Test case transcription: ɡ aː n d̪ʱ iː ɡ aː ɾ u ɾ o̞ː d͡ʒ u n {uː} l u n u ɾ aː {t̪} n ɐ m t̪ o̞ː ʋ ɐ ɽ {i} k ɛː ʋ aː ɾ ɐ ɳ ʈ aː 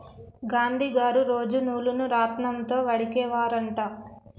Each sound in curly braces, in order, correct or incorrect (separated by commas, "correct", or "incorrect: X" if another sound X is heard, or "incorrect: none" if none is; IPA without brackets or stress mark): correct, correct, correct